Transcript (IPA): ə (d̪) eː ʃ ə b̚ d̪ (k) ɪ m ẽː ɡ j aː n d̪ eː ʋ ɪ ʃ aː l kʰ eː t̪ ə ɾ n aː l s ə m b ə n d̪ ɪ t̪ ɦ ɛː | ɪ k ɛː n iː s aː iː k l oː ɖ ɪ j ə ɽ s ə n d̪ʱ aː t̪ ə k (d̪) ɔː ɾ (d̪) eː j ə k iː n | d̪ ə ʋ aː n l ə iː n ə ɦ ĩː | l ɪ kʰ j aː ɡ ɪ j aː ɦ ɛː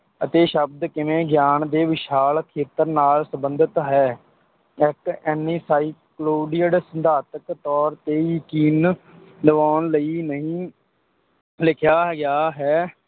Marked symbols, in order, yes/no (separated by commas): no, yes, no, no